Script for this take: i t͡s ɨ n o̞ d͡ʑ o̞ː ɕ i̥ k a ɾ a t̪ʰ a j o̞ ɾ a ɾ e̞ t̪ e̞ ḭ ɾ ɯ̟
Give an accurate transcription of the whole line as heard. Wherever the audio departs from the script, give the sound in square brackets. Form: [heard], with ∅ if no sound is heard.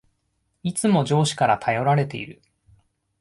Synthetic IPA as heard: i t͡s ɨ [m] o̞ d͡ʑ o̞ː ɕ i̥ k a ɾ a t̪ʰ a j o̞ ɾ a ɾ e̞ t̪ e̞ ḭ ɾ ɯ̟

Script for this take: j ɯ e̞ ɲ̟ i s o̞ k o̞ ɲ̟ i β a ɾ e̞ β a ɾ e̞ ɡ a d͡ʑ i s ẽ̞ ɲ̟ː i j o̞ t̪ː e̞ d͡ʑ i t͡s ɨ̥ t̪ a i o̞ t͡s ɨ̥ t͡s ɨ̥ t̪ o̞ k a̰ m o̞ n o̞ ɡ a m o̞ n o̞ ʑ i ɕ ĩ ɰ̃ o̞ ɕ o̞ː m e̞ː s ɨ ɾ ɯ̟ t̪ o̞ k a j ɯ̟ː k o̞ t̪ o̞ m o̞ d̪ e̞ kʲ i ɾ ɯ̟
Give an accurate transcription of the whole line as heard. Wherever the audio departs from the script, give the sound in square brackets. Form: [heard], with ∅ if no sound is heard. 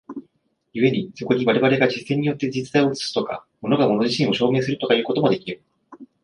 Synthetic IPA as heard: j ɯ e̞ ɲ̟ i s o̞ k o̞ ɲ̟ i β a ɾ e̞ β a ɾ e̞ ɡ a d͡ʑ i s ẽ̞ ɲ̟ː i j o̞ t̪ː e̞ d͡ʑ i t͡s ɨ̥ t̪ a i o̞ t͡s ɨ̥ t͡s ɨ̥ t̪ o̞ k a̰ m o̞ n o̞ ɡ a m o̞ n o̞ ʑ i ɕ ĩ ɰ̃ o̞ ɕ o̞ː m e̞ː s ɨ ɾ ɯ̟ t̪ o̞ k a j ɯ̟ː k o̞ t̪ o̞ m o̞ d̪ e̞ kʲ i ɾ ɯ̟

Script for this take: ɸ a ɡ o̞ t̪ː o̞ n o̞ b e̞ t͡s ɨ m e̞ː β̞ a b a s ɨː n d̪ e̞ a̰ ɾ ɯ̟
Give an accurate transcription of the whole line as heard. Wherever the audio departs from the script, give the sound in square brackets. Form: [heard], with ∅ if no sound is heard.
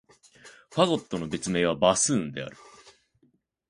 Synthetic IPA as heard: ɸ a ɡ o̞ t̪ː o̞ n o̞ b e̞ t͡s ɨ m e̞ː β̞ a b a s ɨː n d̪ e̞ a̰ ɾ ɯ̟

